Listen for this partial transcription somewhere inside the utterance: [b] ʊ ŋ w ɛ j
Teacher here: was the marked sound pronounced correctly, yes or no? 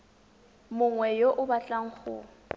no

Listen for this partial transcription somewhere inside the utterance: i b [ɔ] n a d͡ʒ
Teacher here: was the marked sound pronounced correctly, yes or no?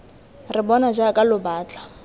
yes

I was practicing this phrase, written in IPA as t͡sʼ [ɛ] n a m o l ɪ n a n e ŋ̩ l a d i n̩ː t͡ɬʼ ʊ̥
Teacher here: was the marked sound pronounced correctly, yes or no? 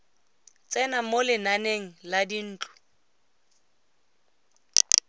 yes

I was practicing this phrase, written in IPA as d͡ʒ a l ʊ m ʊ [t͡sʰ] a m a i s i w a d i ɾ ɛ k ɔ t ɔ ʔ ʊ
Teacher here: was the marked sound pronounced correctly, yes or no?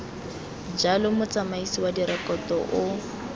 no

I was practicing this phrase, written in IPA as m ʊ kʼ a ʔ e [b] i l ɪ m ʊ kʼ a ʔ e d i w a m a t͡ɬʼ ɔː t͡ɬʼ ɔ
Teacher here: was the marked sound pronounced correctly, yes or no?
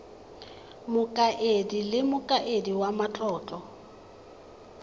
no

